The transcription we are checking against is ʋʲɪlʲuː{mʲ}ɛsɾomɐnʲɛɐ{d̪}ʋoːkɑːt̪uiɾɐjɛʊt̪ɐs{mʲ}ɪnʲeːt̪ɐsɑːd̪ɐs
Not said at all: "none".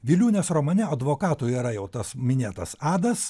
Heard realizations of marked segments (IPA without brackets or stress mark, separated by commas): nʲ, d̪, mʲ